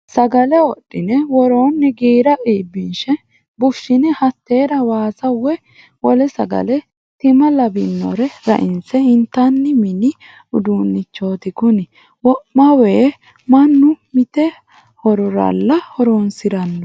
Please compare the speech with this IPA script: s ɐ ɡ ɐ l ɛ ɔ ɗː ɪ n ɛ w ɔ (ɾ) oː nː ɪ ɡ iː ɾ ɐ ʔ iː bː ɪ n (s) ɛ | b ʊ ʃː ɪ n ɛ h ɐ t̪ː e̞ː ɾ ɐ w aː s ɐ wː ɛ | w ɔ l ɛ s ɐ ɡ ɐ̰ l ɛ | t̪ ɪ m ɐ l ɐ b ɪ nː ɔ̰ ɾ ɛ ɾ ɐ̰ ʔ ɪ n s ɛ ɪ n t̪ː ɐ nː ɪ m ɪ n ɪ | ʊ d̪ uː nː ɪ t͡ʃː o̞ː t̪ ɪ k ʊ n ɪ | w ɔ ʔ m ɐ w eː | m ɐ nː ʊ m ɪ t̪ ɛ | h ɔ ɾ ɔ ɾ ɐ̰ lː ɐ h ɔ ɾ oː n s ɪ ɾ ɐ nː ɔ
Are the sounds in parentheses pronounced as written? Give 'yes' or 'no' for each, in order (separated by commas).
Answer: yes, no